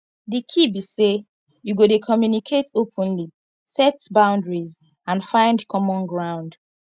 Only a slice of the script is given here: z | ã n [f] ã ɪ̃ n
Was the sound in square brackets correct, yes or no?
yes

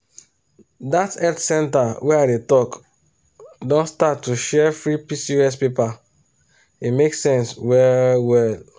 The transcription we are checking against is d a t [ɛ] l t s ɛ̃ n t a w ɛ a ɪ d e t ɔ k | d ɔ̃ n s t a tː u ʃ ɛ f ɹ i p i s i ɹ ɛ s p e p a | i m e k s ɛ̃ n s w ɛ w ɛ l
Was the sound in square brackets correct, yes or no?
yes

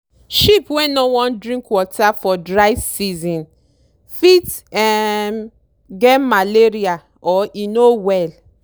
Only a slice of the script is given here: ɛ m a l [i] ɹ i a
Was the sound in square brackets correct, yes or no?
no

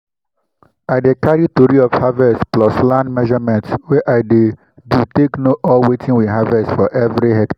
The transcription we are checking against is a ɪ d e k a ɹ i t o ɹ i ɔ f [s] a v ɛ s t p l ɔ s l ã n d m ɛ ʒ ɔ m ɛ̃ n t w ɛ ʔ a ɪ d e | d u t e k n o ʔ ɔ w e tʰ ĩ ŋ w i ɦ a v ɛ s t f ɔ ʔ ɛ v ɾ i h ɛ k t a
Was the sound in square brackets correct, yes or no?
no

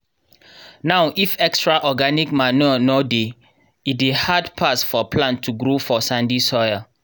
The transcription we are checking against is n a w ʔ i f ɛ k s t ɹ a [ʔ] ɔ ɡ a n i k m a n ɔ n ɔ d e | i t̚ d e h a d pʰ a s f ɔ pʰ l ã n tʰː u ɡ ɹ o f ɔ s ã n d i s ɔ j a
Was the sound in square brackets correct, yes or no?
yes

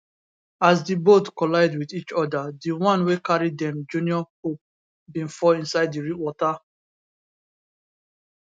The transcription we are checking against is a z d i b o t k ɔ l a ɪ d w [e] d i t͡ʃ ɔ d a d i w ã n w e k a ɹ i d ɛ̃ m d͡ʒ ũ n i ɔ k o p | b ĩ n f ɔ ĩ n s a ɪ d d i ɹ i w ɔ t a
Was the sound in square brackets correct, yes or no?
no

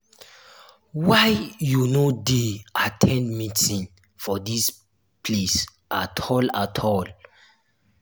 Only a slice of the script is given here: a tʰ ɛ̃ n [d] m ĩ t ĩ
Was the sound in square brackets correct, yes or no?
yes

